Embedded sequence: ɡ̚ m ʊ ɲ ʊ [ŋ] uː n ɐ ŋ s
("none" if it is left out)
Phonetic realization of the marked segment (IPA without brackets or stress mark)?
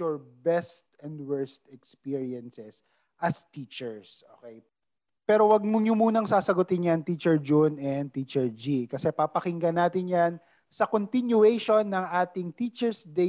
m